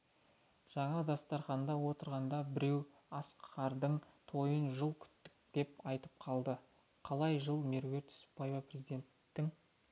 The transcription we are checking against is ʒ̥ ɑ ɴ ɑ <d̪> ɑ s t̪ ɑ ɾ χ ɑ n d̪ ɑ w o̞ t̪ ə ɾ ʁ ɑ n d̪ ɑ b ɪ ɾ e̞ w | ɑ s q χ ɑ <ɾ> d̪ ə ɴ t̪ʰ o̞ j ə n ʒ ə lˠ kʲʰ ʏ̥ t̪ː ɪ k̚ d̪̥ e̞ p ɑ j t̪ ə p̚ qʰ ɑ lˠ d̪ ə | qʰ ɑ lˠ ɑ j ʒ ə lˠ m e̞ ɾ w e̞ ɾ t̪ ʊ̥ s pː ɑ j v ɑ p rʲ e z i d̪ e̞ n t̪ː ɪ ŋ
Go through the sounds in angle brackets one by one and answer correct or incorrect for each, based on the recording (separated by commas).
correct, correct